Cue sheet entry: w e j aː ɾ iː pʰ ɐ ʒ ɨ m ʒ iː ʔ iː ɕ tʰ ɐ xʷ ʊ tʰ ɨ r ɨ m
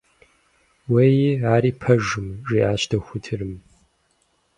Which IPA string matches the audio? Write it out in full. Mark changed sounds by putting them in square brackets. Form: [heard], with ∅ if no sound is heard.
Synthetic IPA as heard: w e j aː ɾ iː pʰ ɐ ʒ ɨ m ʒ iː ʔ [aː] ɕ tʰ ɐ xʷ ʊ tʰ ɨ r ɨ m